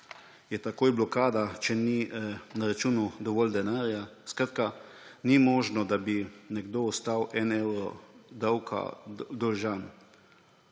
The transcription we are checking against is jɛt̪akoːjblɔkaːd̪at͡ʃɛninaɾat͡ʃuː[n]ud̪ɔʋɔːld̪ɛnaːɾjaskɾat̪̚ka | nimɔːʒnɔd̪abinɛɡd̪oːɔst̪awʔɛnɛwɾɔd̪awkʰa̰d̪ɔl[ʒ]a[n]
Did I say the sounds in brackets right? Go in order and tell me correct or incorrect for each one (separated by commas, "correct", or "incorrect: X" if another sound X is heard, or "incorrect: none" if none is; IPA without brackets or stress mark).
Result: correct, correct, correct